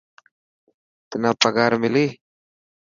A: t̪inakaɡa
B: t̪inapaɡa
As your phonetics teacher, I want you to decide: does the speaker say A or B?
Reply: B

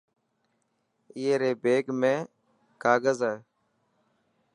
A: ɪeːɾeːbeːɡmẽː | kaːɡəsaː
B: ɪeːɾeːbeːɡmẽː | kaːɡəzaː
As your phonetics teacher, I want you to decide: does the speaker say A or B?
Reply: B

